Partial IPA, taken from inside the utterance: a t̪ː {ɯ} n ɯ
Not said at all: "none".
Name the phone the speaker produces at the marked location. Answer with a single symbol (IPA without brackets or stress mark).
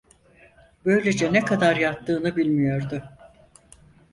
ɯː